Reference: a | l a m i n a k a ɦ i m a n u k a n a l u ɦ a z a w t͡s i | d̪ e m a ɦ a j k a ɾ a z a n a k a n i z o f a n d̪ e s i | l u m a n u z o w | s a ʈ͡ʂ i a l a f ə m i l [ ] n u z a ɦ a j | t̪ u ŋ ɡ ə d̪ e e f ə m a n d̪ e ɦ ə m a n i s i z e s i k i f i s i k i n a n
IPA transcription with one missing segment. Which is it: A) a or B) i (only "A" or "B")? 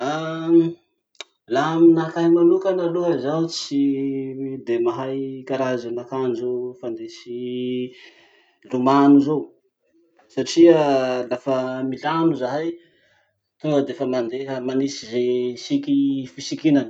A